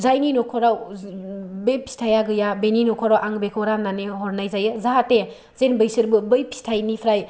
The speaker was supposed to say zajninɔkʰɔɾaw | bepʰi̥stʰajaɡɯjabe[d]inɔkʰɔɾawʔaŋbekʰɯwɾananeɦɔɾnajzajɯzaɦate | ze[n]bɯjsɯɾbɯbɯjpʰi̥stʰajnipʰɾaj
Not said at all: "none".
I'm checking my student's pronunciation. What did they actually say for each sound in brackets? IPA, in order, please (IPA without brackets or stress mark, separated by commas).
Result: n, n